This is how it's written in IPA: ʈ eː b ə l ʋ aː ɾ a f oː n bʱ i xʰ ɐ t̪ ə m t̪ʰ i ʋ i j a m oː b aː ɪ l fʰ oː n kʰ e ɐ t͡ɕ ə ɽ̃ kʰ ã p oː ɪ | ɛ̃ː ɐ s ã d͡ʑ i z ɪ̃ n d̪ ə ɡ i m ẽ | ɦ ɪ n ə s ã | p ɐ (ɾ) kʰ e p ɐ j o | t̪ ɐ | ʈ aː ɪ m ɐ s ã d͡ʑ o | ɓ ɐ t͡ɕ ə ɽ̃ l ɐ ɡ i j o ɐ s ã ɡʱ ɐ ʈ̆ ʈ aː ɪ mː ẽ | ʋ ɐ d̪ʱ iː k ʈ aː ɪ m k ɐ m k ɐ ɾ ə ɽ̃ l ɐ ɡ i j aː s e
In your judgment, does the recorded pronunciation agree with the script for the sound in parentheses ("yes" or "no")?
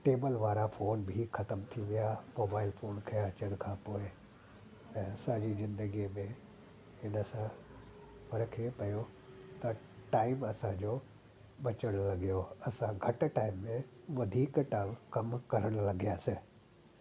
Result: yes